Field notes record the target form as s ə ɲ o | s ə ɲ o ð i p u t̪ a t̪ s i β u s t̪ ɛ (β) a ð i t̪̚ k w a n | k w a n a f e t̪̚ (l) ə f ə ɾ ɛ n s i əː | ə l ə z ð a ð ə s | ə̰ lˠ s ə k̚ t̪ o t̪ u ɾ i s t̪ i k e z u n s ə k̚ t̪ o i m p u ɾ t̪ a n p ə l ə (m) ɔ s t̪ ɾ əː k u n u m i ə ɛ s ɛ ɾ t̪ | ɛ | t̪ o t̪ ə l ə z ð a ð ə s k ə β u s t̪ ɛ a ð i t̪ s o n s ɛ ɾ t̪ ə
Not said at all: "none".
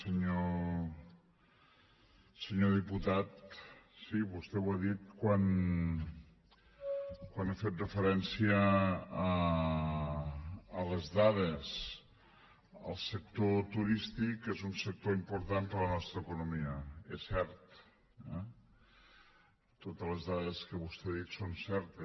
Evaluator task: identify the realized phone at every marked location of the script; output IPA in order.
w, r, n

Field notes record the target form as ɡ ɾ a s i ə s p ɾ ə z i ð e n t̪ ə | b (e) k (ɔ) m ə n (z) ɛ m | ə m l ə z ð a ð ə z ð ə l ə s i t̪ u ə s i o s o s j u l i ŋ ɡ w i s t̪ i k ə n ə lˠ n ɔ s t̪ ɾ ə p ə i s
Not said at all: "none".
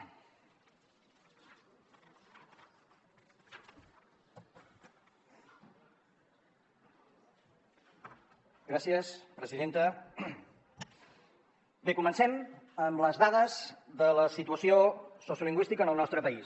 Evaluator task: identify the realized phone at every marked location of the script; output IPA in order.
e, u, s

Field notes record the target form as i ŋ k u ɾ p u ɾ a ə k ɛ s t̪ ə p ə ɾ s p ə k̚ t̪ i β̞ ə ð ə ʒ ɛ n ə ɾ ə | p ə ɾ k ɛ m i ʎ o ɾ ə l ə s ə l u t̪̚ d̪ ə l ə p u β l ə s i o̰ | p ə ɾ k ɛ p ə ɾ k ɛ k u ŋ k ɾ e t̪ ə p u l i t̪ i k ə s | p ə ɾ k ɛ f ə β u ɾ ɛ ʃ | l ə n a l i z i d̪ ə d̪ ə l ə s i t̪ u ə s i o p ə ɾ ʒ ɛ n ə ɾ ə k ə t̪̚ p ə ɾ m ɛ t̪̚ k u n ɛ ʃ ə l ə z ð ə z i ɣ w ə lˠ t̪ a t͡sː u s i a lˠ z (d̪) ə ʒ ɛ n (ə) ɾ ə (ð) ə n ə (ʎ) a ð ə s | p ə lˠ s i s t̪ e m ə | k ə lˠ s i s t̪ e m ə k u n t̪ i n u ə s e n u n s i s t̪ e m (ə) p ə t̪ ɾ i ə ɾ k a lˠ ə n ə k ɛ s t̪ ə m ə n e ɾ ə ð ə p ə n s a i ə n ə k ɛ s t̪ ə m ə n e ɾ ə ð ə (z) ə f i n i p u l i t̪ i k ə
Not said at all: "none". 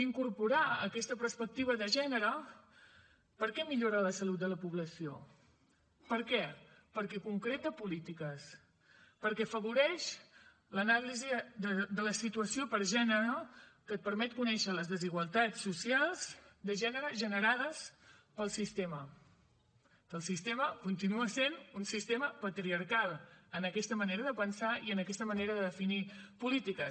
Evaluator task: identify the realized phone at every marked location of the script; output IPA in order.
d̪, ə, ʒ, ɾ, ə, ð

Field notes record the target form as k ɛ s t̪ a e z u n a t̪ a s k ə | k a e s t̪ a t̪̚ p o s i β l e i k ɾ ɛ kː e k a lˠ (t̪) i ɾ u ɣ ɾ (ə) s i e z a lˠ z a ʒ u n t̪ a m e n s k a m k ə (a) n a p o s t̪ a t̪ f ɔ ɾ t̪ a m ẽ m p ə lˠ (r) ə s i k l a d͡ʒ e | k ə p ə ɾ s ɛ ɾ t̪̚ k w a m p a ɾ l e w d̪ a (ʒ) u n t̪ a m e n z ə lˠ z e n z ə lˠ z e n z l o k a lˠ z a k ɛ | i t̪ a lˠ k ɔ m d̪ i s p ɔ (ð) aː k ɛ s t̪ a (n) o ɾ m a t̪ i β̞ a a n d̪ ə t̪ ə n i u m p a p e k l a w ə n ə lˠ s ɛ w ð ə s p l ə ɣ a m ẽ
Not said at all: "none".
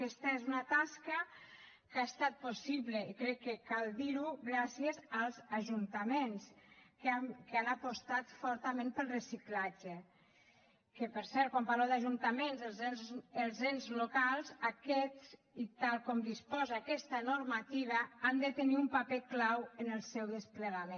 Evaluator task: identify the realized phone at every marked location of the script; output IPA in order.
d̪, a, a, r, ʒ, z, n

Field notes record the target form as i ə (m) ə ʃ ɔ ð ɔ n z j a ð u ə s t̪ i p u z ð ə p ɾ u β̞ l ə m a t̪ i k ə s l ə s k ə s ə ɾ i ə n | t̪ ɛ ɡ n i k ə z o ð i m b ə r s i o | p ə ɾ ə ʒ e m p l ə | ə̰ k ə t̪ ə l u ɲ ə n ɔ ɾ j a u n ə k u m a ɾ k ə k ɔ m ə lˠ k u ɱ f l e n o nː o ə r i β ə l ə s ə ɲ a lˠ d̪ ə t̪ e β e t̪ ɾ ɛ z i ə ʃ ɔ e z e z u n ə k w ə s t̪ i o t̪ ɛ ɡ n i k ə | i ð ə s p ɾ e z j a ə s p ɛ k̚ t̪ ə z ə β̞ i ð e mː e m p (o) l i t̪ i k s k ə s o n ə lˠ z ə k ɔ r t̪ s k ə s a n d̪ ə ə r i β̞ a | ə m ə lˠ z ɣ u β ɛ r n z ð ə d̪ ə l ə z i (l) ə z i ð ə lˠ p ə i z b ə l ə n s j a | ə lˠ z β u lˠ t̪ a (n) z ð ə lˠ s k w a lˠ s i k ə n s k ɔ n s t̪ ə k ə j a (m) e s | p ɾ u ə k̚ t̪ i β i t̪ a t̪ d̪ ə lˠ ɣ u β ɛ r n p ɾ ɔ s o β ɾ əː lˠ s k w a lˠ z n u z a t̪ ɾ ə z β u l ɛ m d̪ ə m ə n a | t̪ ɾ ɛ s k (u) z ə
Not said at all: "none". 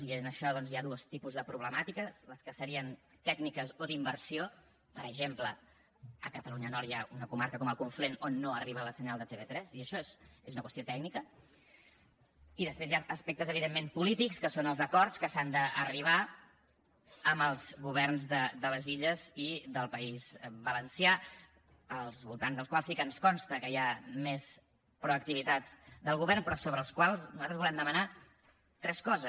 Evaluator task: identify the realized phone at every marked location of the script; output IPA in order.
n, u, ʎ, n, m, ɔ

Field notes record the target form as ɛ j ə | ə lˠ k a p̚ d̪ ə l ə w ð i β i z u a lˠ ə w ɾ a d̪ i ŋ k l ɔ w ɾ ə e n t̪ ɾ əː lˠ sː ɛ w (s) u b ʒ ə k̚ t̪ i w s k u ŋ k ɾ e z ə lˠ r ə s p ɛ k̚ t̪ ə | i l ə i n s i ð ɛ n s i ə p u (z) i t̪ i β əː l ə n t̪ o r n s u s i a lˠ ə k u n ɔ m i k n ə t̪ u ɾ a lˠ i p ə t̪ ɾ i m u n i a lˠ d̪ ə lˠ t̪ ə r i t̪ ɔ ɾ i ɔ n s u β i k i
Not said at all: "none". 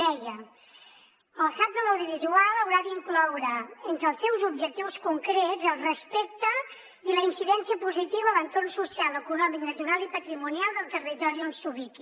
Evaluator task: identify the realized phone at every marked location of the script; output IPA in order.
z, z

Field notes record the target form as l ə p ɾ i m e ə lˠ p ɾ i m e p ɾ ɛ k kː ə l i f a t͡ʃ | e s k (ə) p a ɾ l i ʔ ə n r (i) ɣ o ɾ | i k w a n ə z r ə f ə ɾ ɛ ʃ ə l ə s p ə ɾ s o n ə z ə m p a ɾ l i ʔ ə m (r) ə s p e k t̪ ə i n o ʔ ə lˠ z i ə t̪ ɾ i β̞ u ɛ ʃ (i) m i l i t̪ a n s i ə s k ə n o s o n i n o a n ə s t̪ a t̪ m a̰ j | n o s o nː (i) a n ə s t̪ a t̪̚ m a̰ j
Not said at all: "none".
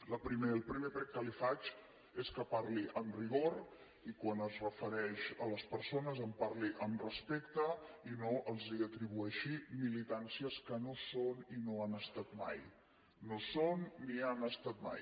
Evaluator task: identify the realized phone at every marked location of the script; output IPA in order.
ə, i, r, i, i

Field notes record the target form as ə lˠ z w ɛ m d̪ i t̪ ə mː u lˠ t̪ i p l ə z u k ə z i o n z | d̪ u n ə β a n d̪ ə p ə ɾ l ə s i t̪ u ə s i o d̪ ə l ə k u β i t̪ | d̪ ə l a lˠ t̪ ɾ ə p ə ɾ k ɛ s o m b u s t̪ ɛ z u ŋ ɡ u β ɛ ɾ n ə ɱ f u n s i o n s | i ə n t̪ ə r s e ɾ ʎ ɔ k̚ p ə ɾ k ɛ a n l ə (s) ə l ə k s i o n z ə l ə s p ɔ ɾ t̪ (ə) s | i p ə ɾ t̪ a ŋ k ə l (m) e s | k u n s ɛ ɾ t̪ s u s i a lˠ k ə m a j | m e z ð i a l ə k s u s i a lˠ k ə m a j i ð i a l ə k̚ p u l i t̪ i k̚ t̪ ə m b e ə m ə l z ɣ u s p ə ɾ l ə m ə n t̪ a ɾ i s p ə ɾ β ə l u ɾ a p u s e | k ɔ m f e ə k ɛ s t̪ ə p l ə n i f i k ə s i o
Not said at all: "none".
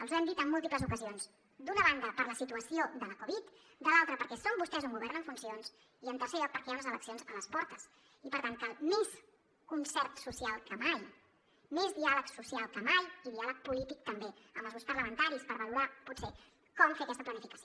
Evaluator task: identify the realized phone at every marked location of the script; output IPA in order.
z, ə, m

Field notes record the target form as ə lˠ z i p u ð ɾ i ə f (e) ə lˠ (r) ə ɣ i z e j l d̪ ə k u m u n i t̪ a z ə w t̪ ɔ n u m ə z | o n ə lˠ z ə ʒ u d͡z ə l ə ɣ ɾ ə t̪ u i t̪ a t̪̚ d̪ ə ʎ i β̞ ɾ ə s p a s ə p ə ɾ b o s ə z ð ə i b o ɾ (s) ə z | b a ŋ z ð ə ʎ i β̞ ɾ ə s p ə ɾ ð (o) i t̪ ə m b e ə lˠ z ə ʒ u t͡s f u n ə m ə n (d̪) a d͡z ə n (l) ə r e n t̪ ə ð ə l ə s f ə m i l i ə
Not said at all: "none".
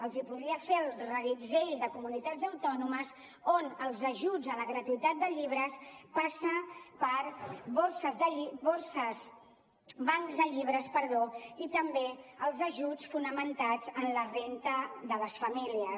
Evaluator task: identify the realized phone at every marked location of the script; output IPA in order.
e, r, s, o, t̪, l

